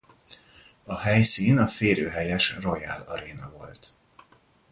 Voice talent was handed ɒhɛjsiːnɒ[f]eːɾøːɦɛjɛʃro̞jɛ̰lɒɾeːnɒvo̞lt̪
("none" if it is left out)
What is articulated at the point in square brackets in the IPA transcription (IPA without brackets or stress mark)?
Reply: f